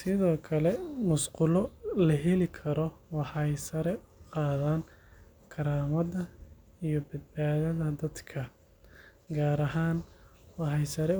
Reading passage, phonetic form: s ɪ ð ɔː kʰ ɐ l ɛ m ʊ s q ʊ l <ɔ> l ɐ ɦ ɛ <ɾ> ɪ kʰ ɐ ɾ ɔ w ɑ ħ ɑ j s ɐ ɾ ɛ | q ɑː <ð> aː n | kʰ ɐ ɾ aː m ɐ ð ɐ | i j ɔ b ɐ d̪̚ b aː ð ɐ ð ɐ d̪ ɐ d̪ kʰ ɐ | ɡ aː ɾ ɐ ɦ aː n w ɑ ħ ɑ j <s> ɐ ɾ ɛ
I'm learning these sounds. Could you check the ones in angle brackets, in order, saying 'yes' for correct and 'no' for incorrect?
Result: yes, no, yes, yes

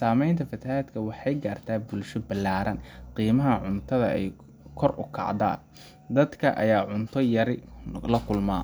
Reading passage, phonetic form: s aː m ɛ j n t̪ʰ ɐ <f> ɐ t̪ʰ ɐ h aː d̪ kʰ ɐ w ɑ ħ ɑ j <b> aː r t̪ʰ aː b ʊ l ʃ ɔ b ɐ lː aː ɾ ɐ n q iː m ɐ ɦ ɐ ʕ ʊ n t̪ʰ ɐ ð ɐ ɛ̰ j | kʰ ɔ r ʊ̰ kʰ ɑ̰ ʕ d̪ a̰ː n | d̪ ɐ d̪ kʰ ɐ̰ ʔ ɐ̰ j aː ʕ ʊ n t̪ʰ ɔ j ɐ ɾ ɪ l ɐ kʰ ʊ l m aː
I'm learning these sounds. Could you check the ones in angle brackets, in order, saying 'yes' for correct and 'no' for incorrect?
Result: yes, no

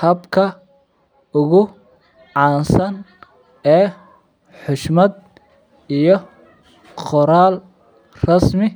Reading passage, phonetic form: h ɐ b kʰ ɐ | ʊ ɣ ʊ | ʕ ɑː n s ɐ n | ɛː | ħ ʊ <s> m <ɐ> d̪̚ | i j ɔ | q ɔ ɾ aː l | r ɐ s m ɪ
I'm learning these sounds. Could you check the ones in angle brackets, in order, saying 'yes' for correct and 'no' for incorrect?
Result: no, yes

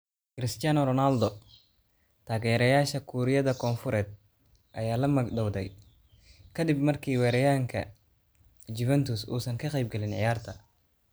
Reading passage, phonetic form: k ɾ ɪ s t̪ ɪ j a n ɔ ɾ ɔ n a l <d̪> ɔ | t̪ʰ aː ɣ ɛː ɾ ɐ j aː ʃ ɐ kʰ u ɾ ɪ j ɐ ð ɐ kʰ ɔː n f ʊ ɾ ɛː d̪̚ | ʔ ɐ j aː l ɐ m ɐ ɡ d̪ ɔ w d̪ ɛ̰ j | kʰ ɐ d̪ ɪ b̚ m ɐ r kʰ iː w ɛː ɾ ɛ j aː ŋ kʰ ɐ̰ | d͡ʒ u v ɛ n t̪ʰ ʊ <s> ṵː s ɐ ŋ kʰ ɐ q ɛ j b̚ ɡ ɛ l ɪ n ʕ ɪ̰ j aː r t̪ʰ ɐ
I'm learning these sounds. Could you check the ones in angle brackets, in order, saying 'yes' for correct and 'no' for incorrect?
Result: yes, yes

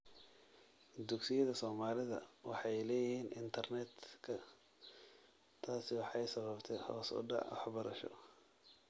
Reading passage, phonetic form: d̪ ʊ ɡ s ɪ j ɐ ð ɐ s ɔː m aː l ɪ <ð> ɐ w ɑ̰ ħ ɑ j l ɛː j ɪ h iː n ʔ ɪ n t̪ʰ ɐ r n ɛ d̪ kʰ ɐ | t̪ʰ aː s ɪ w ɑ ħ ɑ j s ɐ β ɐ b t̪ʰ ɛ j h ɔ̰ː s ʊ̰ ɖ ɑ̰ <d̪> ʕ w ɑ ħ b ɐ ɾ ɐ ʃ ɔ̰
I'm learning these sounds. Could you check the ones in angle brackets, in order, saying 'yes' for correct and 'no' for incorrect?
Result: yes, no

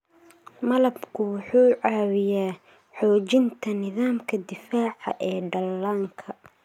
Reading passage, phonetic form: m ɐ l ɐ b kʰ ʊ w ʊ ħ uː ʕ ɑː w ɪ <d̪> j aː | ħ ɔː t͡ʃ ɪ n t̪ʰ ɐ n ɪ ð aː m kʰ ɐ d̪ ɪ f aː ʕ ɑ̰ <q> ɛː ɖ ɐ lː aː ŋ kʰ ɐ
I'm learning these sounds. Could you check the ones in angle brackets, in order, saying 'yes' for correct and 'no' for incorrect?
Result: no, no

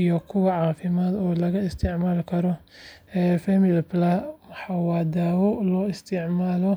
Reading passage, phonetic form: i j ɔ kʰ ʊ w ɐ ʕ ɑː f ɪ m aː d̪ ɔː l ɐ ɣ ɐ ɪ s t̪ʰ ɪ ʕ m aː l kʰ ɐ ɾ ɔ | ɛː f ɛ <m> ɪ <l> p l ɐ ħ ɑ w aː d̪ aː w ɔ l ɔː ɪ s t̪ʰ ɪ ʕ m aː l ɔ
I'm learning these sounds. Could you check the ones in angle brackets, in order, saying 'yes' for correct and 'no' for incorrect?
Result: yes, yes

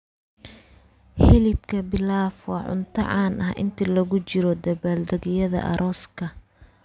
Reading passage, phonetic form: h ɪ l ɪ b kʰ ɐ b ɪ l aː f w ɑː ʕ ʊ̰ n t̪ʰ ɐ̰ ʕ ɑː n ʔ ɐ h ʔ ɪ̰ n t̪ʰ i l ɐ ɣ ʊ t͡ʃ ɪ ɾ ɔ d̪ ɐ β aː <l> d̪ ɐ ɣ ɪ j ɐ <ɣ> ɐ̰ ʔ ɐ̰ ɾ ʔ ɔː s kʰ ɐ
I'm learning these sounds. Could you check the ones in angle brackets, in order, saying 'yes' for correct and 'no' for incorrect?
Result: yes, no

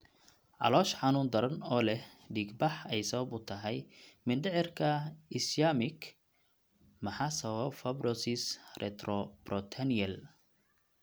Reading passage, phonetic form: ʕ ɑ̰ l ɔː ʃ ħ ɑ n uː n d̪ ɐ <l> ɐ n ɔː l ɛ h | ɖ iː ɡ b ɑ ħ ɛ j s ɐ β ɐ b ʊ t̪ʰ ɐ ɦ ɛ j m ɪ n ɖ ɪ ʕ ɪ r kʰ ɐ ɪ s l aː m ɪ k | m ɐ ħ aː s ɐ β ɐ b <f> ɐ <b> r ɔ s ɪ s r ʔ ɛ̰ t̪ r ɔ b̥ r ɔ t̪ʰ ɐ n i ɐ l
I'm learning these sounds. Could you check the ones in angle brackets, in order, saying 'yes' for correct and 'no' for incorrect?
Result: no, yes, yes

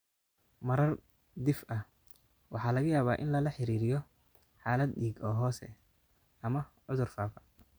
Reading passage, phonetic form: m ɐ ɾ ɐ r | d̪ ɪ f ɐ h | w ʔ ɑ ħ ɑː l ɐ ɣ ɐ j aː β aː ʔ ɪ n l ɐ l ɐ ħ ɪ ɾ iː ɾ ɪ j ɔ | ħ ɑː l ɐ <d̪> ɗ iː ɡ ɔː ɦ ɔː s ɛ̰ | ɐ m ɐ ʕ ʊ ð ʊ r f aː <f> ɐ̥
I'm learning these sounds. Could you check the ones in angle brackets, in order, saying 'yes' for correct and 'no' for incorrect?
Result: yes, yes

